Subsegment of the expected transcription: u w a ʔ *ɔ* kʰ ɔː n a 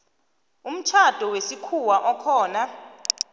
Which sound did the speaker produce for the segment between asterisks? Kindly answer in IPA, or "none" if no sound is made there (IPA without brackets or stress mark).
ɔ